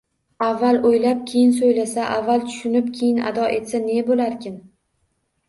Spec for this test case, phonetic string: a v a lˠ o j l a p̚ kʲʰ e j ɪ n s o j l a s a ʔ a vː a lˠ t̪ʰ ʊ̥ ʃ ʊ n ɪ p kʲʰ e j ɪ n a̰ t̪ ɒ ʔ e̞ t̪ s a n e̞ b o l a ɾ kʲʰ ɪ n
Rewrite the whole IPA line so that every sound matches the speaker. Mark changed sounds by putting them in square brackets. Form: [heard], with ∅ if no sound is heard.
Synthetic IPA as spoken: a [vː] a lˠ o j l a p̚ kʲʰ e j ɪ n s o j l a s a ʔ a vː a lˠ t̪ʰ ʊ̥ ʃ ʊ n ɪ p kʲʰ e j ɪ n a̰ [d̪] ɒ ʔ e̞ t̪ s a n e̞ b o l a ɾ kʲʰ ɪ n